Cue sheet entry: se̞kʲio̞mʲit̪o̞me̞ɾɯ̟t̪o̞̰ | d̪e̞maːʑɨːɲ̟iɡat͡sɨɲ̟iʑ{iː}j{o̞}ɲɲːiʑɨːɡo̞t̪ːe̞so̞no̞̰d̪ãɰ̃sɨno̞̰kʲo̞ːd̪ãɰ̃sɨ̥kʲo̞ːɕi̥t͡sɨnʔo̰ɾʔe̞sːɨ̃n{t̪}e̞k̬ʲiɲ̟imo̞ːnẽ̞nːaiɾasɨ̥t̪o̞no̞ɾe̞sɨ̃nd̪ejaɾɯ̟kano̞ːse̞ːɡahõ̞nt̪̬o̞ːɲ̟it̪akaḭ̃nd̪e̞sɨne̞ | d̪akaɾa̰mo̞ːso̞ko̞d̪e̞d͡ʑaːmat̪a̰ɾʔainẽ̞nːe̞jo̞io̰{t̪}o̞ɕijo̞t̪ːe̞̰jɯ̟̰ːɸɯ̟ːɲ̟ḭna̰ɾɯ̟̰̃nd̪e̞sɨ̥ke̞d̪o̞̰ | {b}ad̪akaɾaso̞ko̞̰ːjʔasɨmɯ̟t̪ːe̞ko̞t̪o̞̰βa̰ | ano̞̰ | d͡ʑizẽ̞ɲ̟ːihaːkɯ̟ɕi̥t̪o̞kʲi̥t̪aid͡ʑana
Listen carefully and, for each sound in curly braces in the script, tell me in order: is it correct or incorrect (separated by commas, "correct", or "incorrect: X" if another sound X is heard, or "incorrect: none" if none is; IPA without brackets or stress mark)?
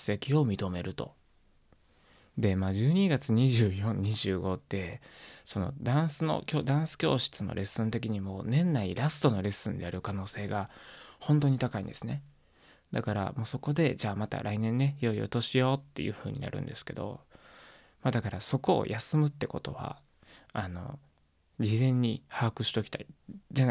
incorrect: ɨː, incorrect: õ̞, correct, correct, incorrect: m